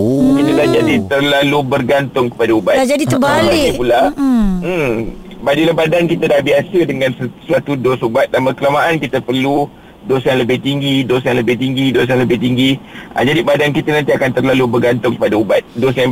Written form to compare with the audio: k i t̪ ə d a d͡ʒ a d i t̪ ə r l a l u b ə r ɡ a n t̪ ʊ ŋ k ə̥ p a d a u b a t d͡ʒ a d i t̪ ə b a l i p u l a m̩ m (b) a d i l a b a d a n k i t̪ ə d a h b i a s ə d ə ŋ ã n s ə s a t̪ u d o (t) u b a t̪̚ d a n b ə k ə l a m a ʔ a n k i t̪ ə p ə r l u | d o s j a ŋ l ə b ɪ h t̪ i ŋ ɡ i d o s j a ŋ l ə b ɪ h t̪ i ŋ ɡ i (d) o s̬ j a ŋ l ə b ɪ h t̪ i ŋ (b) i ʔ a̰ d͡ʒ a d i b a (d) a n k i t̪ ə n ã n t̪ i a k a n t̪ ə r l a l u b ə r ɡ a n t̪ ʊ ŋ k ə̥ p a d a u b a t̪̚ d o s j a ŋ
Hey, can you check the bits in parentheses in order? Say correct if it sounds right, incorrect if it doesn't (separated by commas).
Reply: correct, incorrect, correct, incorrect, correct